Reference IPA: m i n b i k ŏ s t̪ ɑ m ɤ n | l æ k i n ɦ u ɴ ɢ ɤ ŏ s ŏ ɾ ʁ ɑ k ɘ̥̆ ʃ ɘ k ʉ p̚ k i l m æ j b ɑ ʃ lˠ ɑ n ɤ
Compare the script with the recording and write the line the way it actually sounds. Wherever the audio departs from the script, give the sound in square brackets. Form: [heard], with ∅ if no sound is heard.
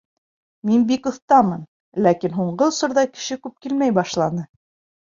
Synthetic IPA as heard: m i n b i k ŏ [θ] t̪ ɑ m ɤ n | l æ k i n ɦ u ɴ ɢ ɤ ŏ s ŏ ɾ [ð] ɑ k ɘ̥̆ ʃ ɘ k ʉ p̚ k i l m æ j b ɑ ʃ lˠ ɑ n ɤ